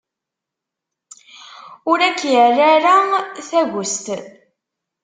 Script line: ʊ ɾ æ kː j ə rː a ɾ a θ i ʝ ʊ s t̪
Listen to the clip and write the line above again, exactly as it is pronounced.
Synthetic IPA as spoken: ʊ ɾ æ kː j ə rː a ɾ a θ æ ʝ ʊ s t̪